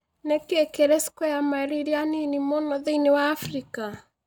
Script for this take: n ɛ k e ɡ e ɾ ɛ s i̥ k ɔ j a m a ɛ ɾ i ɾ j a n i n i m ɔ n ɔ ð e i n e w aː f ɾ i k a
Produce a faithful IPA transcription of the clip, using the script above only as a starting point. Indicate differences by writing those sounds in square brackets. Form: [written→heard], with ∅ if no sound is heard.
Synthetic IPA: n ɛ k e [ɡ→k] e ɾ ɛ s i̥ k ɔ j a m a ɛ ɾ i ɾ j a n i n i m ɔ n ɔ ð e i n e w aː f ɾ i k a